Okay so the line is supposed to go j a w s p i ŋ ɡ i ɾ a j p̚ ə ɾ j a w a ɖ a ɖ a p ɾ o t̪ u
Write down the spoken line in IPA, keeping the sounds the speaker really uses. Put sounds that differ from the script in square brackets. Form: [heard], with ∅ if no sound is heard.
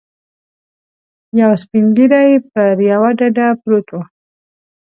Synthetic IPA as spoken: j a w s p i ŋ ɡ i ɾ a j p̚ ə ɾ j a w a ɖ a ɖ a p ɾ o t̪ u